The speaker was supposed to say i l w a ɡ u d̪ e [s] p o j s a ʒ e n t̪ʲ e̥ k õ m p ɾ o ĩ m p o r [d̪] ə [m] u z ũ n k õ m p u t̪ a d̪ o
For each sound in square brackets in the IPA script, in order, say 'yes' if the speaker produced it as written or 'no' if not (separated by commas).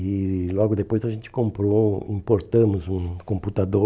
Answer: no, no, yes